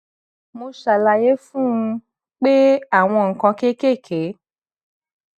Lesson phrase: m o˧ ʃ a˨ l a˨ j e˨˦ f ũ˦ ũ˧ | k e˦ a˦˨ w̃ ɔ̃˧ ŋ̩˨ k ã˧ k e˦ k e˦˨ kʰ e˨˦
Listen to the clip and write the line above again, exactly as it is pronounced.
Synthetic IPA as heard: m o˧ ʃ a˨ l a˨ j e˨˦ f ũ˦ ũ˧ | k͡p e˦ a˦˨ w̃ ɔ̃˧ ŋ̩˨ k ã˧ k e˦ k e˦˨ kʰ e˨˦